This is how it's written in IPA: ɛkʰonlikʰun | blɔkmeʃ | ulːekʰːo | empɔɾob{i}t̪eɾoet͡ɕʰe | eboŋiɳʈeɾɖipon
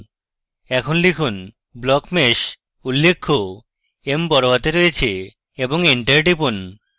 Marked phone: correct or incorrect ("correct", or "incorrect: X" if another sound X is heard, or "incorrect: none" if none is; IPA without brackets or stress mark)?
incorrect: a